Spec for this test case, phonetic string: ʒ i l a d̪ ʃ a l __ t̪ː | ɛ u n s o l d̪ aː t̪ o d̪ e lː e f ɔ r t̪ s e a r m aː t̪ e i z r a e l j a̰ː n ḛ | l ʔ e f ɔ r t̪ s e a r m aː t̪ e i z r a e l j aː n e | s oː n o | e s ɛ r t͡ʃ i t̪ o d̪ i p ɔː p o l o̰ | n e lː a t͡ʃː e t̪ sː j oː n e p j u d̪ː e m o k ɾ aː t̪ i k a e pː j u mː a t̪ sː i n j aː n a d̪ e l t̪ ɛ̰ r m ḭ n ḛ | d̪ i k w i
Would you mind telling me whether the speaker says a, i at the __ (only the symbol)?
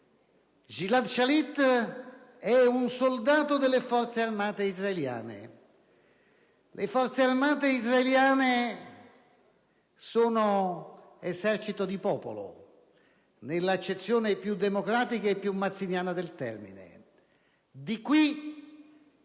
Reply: i